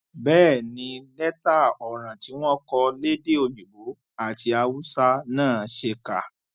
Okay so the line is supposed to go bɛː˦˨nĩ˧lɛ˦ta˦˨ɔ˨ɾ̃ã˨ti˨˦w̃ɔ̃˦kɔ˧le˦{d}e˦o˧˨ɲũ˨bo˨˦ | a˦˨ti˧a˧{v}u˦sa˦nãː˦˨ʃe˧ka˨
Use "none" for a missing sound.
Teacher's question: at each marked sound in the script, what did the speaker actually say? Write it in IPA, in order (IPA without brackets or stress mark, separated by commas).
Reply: d, w